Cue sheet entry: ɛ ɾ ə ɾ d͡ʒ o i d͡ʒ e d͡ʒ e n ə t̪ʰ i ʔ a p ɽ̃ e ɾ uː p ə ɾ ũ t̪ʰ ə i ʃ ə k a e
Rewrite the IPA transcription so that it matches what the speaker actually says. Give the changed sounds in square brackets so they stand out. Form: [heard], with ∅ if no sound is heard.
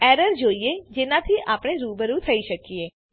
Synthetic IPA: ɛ ɾ ə ɾ d͡ʒ o i [∅] e d͡ʒ e n [a] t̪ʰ i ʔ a p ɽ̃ e ɾ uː [b] ə ɾ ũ t̪ʰ ə i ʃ ə k [i] e